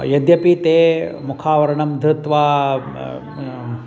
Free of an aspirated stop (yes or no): no